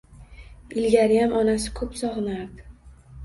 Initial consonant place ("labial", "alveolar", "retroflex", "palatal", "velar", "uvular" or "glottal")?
alveolar